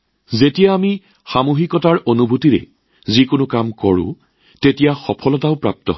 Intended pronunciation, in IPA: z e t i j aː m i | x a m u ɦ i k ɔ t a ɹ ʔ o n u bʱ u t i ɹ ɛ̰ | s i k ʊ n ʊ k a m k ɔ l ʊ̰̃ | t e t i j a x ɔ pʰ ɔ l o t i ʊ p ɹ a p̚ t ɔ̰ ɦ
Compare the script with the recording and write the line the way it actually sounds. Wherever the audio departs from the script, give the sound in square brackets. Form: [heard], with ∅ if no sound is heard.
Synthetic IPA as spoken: z e t i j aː m i | x a m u ɦ i k ɔ t a ɹ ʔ o n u bʱ u t i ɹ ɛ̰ | [z] i k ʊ n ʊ k a m k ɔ [ɹ] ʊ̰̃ | t e t i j a x ɔ pʰ ɔ l [ɔ] t [a] ʊ p ɹ a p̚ t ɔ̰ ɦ

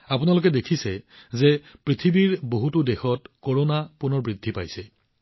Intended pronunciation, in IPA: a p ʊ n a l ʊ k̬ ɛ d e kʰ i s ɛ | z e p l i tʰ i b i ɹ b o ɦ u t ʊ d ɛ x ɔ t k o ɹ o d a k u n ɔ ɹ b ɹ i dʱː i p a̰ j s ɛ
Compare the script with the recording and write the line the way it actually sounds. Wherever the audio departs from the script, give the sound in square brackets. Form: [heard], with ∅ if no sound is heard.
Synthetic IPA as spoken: a p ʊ n a l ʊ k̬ ɛ d e kʰ i s ɛ | z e p [ɹ] i tʰ i b i ɹ b o ɦ u t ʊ d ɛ x ɔ t k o ɹ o [n] a [p] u n ɔ ɹ b ɹ i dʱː i p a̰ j s ɛ

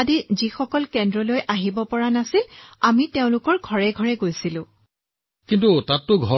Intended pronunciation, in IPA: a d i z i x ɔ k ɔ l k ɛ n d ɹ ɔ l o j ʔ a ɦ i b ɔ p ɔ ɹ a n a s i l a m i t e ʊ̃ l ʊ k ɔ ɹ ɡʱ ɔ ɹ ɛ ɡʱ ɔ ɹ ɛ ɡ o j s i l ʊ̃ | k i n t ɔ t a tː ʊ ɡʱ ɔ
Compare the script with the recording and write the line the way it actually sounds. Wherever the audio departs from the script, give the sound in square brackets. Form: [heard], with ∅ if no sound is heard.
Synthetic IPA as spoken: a d i z i x ɔ k ɔ l k ɛ n d ɹ ɔ l o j ʔ a ɦ i b ɔ p ɔ ɹ a n a s i l a m i t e ʊ̃ l ʊ k ɔ ɹ ɡʱ ɔ ɹ ɛ ɡʱ ɔ ɹ ɛ ɡ o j s i l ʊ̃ | k i n t [u] t a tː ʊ ɡʱ ɔ

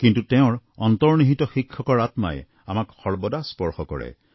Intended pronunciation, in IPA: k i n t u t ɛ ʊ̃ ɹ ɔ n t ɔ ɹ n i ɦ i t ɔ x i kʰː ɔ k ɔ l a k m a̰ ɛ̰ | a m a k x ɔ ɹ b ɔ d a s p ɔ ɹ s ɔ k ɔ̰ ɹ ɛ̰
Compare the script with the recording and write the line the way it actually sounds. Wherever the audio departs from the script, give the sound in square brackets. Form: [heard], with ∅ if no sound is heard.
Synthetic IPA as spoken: k i n t u t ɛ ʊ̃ ɹ ɔ n t ɔ ɹ n i ɦ i t ɔ x i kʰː ɔ k ɔ [ɹ] a [t] m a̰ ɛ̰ | a m a k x ɔ ɹ b ɔ d a s p ɔ ɹ [x] ɔ k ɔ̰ ɹ ɛ̰

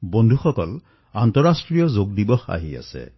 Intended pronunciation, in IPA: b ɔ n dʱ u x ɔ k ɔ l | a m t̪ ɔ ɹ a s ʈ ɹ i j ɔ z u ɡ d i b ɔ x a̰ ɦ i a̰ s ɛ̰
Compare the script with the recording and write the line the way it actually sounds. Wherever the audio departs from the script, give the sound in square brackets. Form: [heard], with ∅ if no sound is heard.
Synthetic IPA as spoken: b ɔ n dʱ u x ɔ k ɔ l | a [n] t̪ ɔ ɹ a s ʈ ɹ i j ɔ z [o] ɡ d i b ɔ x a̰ ɦ i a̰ s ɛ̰

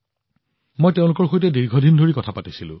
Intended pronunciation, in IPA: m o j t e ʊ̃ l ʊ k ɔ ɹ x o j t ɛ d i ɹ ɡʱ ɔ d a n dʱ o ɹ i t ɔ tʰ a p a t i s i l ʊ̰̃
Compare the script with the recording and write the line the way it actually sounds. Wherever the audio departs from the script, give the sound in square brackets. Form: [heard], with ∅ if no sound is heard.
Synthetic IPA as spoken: m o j t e ʊ̃ l ʊ k ɔ ɹ x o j t ɛ d i ɹ ɡʱ ɔ d [i] n dʱ o ɹ i [k] ɔ tʰ a p a t i s i l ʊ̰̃

